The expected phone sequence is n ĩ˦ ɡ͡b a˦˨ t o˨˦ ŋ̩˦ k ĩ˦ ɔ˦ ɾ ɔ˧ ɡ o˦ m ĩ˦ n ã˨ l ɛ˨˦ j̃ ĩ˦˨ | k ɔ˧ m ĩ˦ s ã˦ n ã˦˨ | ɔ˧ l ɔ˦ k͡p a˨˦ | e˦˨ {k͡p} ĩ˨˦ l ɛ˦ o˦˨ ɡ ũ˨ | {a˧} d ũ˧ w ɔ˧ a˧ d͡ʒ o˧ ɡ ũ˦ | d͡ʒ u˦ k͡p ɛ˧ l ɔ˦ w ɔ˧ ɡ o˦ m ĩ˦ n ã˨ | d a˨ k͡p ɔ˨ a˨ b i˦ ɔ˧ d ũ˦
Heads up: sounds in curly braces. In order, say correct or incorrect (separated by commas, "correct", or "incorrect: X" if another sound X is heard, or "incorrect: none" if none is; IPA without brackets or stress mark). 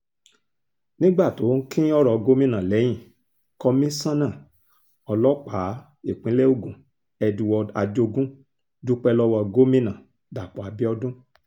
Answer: correct, incorrect: ɛ˧